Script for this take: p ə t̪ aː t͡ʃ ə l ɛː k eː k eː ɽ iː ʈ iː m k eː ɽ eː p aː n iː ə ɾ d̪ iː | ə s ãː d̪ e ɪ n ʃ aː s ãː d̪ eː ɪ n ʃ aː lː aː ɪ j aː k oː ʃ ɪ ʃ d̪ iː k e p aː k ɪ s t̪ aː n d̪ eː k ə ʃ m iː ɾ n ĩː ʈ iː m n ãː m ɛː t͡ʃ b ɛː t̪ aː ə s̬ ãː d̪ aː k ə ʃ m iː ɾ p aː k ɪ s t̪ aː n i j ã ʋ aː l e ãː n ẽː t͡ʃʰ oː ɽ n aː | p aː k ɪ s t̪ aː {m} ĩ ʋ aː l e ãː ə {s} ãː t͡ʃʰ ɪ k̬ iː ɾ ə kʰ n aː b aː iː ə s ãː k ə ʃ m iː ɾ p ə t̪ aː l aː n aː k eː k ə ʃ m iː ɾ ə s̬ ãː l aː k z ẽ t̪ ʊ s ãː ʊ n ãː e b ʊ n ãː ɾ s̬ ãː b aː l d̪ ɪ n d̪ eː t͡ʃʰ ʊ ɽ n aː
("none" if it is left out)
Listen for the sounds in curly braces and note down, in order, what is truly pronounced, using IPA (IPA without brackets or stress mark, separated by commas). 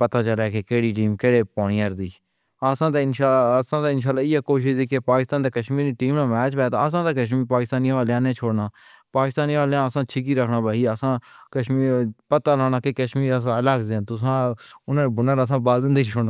n, s